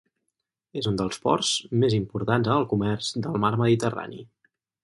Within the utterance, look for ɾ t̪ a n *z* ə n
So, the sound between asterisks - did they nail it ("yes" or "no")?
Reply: yes